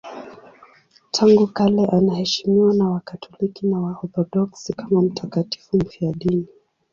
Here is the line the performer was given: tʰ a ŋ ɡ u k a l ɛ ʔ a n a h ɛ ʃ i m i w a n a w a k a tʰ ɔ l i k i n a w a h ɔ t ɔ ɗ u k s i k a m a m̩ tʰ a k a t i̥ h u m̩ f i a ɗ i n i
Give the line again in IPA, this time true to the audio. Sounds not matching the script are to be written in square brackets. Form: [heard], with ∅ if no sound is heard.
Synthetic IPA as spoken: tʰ a ŋ ɡ u k a l ɛ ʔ a n a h ɛ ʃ i m i w a n a w a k a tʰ ɔ l i k i n a w a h ɔ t ɔ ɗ [ɔ] k s i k a m a m̩ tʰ a k a t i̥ [f] u m̩ f i a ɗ i n i